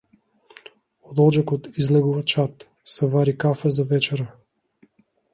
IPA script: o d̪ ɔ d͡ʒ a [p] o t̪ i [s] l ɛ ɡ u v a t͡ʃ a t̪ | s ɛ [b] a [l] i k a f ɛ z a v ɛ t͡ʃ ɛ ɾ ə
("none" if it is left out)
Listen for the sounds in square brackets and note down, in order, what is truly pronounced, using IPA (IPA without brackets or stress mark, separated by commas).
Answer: k, z, v, ɾ